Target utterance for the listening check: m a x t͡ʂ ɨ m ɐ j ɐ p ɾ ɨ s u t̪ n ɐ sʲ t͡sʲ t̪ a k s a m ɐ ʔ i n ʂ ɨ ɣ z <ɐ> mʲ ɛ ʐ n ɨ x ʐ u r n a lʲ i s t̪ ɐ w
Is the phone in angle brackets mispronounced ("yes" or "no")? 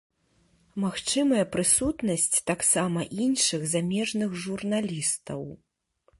yes